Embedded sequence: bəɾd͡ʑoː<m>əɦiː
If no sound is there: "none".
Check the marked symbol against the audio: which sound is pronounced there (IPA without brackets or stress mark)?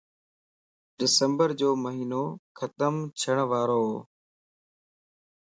m